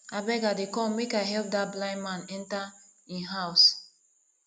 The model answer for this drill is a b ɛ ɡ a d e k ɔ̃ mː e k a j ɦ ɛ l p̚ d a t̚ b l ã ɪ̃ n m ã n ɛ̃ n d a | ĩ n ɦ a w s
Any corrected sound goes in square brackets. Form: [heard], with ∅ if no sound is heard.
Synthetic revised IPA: a b ɛ ɡ a d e k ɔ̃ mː e k a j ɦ ɛ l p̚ d a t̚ b l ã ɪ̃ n m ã n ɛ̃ n [t] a | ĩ n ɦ a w s